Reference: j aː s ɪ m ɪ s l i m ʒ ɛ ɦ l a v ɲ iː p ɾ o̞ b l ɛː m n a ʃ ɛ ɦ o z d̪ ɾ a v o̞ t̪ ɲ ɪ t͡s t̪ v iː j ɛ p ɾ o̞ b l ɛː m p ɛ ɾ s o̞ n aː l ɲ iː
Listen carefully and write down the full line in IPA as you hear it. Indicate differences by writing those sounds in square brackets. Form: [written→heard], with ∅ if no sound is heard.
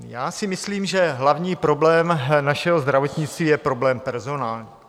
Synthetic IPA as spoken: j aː s ɪ m ɪ s l [i→iː] m ʒ ɛ ɦ l a v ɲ iː p ɾ o̞ b l ɛː m n a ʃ ɛ ɦ o z d̪ ɾ a v o̞ t̪ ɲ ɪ t͡s t̪ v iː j ɛ p ɾ o̞ b l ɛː m p ɛ ɾ [s→z] o̞ n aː l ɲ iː